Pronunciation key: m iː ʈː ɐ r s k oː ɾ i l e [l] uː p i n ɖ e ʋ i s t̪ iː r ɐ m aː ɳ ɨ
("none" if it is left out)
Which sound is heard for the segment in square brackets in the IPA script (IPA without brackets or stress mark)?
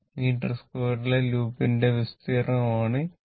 l